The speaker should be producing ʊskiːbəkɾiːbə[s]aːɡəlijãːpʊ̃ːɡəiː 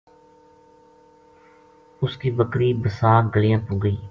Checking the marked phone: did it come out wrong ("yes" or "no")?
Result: no